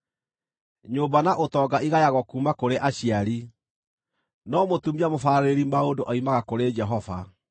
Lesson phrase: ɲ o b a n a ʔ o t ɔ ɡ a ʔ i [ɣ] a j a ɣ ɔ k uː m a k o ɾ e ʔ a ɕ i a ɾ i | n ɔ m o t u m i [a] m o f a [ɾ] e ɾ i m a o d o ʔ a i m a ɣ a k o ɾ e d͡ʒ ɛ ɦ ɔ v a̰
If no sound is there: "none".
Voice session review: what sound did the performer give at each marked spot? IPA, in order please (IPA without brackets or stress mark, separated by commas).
ɣ, a, ɾ